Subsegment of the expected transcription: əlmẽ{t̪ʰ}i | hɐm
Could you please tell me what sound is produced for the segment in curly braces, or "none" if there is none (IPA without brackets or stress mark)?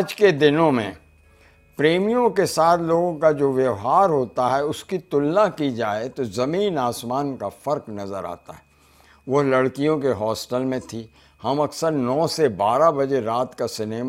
t̪ʰ